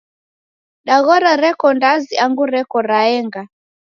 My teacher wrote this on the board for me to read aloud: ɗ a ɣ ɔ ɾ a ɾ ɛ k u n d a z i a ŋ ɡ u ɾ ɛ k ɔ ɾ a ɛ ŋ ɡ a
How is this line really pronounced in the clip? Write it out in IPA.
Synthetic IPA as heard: ɗ a ɣ ɔ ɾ a ɾ ɛ k ɔ n d a z i a ŋ ɡ u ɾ ɛ k ɔ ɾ a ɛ ŋ ɡ a